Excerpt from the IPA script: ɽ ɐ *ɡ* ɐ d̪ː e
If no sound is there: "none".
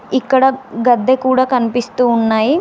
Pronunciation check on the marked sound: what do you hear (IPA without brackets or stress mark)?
ɡ